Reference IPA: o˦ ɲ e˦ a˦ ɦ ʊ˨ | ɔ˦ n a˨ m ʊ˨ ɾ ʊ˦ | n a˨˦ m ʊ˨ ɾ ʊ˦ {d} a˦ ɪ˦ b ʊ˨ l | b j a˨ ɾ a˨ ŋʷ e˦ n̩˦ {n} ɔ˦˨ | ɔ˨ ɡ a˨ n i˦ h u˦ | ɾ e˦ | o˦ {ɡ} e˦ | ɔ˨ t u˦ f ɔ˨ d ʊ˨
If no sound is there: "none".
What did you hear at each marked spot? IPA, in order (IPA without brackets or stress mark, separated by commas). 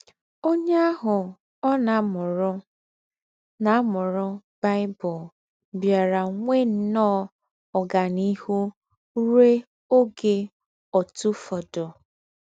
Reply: b, n, ɡ